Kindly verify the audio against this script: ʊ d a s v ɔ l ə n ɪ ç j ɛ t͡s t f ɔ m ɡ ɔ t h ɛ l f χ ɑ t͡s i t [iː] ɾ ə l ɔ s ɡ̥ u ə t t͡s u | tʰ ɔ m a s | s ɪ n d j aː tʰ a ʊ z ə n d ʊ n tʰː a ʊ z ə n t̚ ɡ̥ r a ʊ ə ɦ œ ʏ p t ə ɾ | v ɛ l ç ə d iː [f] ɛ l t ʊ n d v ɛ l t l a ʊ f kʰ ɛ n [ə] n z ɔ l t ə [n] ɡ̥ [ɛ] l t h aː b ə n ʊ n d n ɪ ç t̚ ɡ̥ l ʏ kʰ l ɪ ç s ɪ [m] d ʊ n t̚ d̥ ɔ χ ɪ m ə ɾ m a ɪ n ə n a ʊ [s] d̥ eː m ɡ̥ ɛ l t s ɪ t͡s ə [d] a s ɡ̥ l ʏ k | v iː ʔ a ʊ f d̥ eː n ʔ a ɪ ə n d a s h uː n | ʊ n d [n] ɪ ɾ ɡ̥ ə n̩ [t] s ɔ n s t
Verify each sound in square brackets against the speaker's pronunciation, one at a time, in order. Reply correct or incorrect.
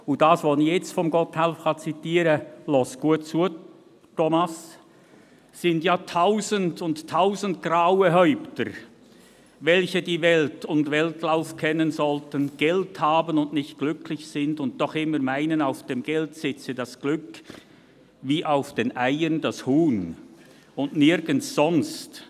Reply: correct, incorrect, correct, correct, correct, incorrect, incorrect, correct, correct, incorrect

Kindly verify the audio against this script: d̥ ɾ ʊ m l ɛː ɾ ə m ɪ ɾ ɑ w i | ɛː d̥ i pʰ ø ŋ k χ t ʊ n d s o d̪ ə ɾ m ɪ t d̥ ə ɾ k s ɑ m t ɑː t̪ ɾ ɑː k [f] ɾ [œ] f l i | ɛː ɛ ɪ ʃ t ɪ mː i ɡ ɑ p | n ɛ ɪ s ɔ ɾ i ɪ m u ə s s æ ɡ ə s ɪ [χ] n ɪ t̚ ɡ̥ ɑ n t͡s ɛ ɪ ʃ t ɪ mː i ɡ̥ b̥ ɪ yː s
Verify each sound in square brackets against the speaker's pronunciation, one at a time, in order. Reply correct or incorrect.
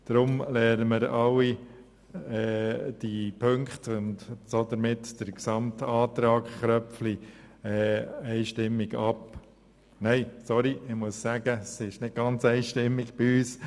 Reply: incorrect, correct, incorrect

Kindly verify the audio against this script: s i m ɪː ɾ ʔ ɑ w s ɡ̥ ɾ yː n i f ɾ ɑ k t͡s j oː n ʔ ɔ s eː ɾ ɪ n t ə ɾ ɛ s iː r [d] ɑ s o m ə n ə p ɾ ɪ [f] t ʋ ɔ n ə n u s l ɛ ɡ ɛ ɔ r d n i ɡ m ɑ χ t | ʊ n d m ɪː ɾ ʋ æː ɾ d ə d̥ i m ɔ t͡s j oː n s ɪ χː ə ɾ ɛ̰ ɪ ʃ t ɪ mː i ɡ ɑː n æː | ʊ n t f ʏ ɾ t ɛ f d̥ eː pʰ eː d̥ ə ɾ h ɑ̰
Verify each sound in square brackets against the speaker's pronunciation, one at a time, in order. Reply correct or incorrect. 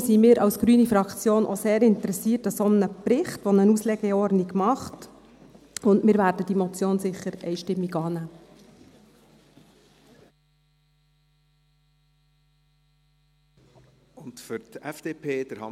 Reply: incorrect, incorrect

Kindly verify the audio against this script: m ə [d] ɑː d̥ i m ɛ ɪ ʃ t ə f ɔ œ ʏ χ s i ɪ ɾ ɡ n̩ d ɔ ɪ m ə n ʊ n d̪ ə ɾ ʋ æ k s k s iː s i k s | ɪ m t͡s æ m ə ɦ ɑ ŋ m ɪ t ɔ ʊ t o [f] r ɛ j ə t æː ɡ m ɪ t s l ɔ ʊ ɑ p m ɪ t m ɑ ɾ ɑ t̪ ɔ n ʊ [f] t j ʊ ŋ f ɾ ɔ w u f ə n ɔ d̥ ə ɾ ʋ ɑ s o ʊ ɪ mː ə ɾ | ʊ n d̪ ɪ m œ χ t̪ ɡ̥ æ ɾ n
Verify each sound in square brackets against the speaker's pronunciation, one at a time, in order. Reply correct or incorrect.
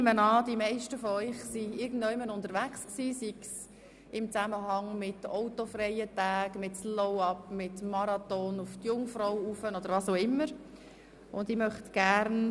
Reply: incorrect, correct, correct

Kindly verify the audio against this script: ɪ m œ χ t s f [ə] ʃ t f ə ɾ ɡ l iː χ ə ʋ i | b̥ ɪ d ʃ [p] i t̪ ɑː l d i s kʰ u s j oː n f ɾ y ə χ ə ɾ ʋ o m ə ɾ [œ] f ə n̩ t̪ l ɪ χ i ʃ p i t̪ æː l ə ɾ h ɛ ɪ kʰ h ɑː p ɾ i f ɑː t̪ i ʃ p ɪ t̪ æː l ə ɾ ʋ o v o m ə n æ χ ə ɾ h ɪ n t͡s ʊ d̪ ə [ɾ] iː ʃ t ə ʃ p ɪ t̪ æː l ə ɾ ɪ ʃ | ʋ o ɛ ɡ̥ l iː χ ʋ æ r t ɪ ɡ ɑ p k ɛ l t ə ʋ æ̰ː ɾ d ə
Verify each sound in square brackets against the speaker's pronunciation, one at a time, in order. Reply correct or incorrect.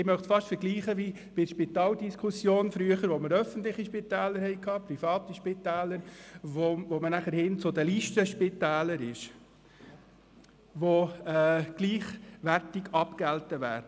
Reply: incorrect, correct, correct, incorrect

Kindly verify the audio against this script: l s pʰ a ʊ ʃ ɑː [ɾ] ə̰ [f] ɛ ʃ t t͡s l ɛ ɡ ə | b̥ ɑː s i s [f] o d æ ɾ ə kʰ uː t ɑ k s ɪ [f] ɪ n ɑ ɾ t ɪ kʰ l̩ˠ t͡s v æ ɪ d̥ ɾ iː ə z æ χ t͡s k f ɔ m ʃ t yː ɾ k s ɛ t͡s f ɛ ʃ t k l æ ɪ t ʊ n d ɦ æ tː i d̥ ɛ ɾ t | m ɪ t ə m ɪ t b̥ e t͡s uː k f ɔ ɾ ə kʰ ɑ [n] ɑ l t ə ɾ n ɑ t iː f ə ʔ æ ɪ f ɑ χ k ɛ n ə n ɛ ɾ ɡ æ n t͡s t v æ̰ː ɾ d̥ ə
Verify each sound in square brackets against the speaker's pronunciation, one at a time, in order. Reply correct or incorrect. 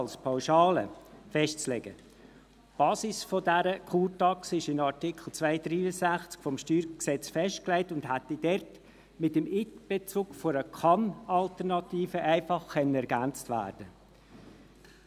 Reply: incorrect, correct, correct, incorrect, correct

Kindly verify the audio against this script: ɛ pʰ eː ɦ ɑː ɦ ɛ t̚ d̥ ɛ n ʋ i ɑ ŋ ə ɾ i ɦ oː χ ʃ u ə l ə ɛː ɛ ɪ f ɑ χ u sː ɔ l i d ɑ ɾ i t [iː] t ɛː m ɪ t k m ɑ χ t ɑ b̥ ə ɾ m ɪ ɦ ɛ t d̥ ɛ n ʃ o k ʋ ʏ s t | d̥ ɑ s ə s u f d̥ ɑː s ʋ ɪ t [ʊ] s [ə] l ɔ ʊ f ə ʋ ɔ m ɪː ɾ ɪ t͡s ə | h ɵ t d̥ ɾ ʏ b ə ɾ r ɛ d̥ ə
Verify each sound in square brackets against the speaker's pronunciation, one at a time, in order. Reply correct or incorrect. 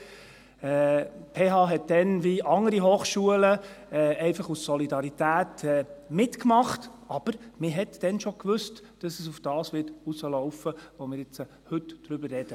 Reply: incorrect, incorrect, correct

